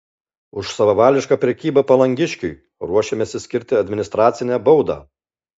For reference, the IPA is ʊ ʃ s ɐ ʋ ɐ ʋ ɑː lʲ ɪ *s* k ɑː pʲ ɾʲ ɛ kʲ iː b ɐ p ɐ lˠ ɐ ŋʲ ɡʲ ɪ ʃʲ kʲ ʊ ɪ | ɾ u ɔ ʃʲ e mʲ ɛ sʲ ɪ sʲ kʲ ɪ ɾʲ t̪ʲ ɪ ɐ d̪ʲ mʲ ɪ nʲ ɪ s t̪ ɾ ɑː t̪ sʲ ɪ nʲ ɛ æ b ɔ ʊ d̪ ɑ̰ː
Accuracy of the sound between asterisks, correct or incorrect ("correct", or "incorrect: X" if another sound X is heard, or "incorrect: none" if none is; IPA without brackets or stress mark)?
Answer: incorrect: ʃ